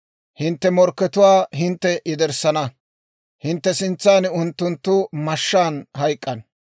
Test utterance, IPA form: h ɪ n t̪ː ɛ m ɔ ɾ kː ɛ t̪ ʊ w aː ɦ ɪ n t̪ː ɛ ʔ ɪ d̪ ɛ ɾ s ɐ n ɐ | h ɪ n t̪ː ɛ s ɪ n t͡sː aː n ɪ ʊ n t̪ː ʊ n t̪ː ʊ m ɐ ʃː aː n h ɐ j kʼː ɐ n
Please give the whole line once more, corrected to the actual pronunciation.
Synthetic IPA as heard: h ɪ n t̪ː ɛ m ɔ ɾ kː ɛ t̪ ʊ w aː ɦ ɪ n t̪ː ɛ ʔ ɪ d̪ ɛ ɾ s ɐ n ɐ | h ɪ n t̪ː ɛ s ɪ n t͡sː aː n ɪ ʊ n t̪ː ʊ n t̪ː ʊ m ɐ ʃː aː n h ɐ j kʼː ɐ n